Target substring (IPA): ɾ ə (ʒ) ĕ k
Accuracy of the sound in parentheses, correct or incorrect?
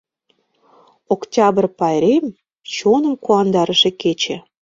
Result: incorrect